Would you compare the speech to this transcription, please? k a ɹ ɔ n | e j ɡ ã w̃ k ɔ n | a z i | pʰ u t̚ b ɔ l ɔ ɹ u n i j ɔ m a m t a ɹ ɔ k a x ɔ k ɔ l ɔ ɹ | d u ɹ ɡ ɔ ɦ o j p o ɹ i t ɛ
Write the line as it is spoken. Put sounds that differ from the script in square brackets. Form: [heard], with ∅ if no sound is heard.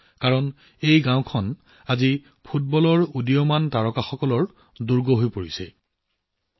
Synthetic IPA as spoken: k a ɹ ɔ n | e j ɡ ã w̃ [kʰ] ɔ n | a z i | pʰ u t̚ b ɔ l ɔ ɹ u [d] i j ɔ m a [n] t a ɹ ɔ k a x ɔ k ɔ l ɔ ɹ | d u ɹ ɡ ɔ ɦ o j p o ɹ i [s] ɛ